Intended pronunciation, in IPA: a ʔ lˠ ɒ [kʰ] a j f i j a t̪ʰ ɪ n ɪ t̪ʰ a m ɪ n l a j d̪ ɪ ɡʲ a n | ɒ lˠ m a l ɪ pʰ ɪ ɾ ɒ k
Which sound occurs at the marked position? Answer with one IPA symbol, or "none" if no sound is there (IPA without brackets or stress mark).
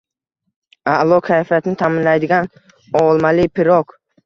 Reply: kʰ